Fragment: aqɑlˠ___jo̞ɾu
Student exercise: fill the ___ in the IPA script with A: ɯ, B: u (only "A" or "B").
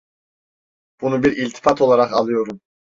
A